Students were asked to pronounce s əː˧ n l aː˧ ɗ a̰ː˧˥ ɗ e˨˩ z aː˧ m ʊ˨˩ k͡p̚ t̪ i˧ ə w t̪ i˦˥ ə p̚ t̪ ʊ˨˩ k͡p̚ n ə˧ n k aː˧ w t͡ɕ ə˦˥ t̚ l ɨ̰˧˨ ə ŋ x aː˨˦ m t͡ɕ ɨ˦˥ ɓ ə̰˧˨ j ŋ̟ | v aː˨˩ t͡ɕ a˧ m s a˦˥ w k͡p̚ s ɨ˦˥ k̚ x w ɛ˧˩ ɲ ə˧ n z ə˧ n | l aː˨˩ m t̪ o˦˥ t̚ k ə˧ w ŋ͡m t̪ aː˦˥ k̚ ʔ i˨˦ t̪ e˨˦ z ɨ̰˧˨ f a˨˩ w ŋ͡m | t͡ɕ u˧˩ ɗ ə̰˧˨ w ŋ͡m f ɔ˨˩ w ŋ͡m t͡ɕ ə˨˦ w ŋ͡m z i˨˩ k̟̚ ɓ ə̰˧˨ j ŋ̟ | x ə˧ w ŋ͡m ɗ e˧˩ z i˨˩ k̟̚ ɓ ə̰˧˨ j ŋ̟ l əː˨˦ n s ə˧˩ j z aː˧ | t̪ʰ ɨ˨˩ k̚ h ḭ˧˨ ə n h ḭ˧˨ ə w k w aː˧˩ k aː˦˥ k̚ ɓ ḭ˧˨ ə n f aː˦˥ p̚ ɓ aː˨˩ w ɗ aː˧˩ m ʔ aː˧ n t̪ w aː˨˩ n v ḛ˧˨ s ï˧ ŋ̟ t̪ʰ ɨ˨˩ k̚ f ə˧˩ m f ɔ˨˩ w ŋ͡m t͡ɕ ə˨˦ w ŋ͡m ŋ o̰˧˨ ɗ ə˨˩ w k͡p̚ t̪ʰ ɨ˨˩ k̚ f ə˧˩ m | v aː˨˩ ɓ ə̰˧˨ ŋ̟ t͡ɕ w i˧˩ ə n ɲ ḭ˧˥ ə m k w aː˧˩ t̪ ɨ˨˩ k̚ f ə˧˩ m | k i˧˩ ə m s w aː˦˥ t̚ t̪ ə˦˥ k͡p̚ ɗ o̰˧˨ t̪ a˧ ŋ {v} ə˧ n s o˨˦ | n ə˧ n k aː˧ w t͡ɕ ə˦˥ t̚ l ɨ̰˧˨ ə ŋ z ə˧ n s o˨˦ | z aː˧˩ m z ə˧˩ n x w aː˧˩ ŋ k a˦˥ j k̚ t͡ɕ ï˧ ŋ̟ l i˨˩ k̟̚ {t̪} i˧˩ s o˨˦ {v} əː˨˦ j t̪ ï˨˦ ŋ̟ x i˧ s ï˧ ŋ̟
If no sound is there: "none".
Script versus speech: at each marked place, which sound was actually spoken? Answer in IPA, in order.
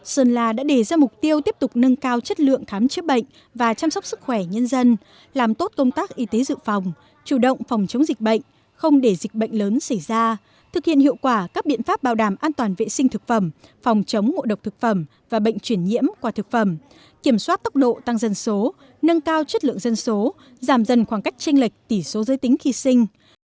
z, t̪, z

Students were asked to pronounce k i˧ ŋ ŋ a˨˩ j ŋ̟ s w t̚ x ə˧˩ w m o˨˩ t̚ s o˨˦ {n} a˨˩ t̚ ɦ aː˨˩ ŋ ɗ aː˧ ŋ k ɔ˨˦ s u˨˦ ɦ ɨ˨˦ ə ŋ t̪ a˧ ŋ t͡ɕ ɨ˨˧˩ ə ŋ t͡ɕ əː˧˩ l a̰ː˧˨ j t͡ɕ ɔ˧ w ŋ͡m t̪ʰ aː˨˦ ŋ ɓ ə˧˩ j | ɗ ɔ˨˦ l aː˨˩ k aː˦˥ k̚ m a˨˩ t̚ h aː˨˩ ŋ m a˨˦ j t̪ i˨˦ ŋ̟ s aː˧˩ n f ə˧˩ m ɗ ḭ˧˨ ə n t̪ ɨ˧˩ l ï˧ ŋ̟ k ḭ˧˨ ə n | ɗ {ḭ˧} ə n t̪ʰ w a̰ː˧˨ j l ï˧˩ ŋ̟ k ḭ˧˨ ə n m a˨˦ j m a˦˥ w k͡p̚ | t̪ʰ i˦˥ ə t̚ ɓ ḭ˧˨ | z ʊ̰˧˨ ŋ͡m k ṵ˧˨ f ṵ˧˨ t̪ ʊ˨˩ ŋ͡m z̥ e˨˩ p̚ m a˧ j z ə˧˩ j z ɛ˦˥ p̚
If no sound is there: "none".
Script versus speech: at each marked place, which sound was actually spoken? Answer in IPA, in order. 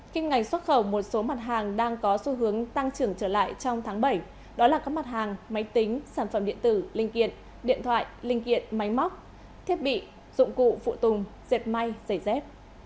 m, ḭ˧

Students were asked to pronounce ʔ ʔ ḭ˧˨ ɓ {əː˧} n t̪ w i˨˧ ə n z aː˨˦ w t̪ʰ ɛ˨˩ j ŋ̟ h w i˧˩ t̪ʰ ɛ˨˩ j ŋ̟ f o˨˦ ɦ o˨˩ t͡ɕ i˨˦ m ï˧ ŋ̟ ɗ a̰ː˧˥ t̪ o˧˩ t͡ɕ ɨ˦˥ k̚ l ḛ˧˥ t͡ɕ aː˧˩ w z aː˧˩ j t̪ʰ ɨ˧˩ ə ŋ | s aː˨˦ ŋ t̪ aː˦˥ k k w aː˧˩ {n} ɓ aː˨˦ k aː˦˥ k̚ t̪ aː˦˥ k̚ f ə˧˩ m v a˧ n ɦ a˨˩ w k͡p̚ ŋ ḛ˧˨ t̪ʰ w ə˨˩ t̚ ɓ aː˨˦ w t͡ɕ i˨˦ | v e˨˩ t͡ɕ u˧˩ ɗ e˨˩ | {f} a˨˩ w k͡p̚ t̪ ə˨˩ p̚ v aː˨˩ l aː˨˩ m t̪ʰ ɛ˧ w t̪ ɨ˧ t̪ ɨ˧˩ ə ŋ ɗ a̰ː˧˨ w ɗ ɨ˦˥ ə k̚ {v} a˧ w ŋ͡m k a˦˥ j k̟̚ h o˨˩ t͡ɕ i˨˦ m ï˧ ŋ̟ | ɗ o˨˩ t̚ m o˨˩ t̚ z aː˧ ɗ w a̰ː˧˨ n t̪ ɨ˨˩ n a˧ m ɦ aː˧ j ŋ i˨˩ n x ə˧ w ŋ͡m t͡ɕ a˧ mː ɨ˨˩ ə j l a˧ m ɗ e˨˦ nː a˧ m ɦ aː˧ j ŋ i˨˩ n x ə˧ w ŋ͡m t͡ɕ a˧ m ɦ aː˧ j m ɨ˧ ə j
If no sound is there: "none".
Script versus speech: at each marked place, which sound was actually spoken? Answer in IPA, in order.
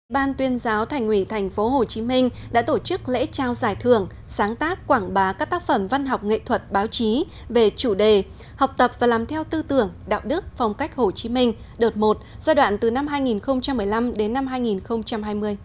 aː˧, ŋ, h, f

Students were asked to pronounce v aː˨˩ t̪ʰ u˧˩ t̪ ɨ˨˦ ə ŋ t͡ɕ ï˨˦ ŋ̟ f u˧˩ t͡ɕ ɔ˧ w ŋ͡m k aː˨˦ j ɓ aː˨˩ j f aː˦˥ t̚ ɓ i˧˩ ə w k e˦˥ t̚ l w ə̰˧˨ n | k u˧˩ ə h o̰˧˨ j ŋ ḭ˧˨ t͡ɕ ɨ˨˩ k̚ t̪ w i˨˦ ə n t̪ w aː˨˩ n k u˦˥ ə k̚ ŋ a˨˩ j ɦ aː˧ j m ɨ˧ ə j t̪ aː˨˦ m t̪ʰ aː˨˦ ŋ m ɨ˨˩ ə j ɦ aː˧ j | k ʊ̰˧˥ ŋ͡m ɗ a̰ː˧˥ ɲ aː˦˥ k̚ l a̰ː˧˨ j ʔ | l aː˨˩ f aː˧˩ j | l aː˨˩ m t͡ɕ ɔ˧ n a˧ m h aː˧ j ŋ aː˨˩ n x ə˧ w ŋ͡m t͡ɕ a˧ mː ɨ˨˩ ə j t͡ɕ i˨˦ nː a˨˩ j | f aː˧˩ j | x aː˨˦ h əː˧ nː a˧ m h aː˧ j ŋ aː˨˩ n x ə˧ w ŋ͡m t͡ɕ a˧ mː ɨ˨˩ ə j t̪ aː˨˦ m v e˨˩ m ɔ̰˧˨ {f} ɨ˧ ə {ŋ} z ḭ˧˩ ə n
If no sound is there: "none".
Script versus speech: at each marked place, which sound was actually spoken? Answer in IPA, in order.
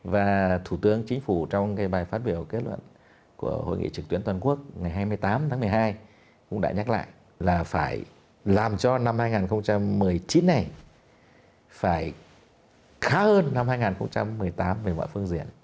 f, ŋ

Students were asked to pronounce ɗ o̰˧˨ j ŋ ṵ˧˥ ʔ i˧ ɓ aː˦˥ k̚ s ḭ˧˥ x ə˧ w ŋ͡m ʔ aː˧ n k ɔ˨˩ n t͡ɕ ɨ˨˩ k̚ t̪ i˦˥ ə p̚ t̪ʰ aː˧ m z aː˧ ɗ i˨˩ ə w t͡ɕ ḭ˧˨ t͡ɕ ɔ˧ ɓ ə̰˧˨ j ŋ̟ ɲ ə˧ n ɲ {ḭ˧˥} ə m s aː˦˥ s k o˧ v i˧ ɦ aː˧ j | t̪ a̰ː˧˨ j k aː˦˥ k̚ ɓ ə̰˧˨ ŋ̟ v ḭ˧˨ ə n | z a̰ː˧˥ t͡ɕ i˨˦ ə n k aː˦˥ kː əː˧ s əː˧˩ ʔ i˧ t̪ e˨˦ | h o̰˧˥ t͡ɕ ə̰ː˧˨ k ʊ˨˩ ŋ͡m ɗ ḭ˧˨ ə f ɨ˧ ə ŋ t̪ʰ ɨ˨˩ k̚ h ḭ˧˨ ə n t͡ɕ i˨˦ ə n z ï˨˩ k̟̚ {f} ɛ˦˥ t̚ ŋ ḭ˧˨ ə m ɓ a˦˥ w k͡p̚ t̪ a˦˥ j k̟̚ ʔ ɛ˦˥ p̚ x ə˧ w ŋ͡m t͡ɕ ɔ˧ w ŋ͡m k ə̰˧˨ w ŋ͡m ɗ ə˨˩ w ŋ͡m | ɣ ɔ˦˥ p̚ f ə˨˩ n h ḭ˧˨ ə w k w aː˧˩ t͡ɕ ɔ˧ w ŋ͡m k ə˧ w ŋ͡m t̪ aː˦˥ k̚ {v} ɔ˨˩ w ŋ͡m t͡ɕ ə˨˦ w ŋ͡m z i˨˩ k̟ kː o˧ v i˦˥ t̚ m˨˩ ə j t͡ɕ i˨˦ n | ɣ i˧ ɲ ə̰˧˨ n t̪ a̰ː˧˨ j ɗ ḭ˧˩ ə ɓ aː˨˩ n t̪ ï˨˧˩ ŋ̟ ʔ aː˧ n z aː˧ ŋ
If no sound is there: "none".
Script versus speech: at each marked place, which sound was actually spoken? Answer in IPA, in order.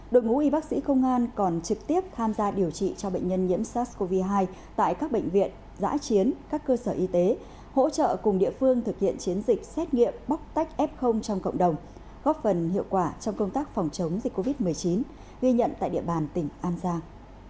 ḭ˧˥, s, f

